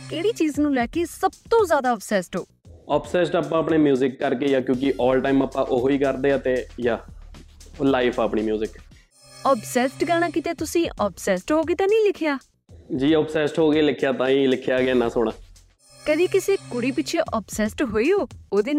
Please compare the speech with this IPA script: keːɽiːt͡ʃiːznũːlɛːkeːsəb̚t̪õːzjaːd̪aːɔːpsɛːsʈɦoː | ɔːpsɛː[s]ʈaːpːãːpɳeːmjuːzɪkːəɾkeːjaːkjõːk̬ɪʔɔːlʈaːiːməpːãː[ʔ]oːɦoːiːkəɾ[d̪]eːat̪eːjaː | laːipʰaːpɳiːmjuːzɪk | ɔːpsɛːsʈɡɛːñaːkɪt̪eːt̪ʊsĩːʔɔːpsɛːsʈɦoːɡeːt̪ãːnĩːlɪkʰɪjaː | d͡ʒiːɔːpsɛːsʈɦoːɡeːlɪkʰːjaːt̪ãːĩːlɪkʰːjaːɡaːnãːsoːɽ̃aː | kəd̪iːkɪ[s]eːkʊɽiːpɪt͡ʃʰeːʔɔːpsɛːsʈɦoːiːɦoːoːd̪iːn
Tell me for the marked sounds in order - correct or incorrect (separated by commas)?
correct, correct, correct, correct